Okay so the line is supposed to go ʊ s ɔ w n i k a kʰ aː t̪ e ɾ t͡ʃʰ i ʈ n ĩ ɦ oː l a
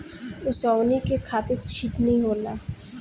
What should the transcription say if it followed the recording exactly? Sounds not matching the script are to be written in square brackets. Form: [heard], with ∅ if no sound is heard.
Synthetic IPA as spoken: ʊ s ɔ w n i k [e] kʰ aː t̪ e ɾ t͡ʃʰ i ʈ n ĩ ɦ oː l a